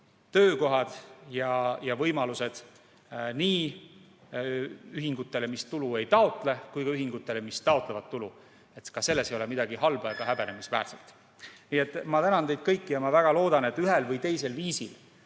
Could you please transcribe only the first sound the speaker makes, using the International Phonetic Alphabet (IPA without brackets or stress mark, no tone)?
t̪